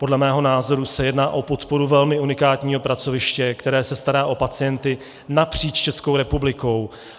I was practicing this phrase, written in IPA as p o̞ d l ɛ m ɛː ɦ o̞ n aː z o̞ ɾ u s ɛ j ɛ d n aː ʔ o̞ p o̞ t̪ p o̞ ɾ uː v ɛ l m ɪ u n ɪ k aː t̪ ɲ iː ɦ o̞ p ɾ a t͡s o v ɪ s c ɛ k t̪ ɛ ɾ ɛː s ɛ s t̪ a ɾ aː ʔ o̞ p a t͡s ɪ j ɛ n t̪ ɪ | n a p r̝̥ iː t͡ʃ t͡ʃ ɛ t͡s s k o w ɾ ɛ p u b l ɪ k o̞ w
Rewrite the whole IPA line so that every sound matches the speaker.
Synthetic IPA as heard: p o̞ d l ɛ m ɛː ɦ o̞ n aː z o̞ ɾ u s ɛ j ɛ d n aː ʔ o̞ p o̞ t̪ p o̞ ɾ u v ɛ l m ɪ u n ɪ k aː t̪ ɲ iː ɦ o̞ p ɾ a t͡s o v ɪ ʃ c ɛ k t̪ ɛ ɾ ɛː s ɛ s t̪ a ɾ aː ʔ o̞ p a t͡s ɪ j ɛ n t̪ ɪ | n a p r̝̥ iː t͡ʃ t͡ʃ ɛ s k o w ɾ ɛ p u b l ɪ k o̞ w